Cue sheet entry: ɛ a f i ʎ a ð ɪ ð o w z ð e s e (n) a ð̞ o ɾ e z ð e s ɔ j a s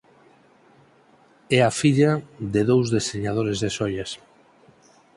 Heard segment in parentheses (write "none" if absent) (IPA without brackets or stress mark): ɲ